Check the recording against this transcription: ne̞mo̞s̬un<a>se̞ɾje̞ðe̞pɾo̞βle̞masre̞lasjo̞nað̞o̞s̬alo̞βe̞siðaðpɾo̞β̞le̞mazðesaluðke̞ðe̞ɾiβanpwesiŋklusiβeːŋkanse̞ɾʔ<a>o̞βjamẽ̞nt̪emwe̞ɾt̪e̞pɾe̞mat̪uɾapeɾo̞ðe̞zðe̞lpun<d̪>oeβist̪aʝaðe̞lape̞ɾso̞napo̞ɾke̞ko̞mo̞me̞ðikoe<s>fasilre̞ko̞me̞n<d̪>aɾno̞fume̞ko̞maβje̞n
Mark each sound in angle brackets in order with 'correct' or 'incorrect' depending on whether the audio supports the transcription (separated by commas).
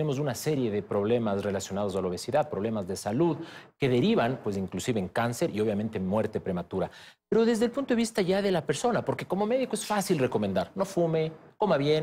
correct, incorrect, incorrect, correct, correct